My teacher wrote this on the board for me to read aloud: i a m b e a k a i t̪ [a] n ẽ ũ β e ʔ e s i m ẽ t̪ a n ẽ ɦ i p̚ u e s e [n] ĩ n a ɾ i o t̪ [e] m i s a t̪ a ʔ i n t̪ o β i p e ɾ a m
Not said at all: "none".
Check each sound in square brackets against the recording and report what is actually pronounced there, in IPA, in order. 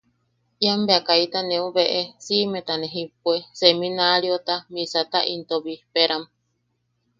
a, m, a

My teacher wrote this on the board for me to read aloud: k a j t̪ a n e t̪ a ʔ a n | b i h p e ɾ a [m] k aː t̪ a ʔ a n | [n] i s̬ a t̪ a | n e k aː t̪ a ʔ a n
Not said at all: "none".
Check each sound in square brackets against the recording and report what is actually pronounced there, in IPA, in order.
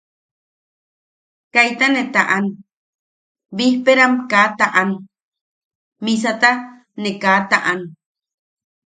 m, m

